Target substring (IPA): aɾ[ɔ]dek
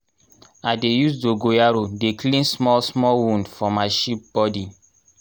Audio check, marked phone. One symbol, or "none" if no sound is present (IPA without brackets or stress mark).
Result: o